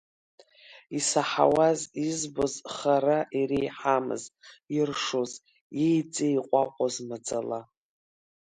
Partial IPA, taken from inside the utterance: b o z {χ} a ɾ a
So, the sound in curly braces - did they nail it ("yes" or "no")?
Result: yes